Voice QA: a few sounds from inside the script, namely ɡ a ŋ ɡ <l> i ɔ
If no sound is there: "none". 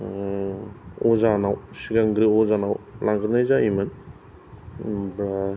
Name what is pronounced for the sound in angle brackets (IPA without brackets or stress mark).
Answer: ɾ